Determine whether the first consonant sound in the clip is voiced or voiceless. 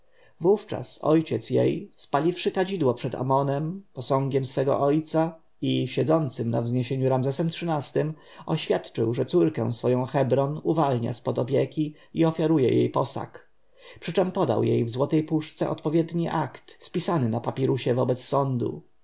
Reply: voiced